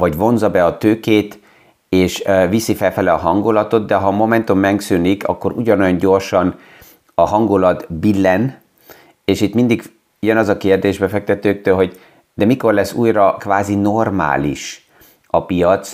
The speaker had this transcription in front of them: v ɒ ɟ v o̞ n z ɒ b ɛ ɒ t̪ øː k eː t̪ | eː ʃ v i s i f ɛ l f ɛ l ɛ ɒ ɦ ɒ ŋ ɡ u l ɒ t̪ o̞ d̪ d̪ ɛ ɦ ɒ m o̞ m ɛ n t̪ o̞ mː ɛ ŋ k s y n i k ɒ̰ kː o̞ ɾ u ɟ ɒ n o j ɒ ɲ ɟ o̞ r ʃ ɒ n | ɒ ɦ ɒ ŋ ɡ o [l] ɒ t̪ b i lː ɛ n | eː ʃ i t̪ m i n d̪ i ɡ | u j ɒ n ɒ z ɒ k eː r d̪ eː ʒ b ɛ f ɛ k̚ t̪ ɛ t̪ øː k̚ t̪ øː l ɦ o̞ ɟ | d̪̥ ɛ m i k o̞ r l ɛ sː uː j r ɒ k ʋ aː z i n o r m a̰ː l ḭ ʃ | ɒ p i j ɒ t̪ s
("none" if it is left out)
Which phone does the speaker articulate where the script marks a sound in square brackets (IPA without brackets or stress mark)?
l